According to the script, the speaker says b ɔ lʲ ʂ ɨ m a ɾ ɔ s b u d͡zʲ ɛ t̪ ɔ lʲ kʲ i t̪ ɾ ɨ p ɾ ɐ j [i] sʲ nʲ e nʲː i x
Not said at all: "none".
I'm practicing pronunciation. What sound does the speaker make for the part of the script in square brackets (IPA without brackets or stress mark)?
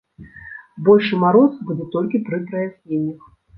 a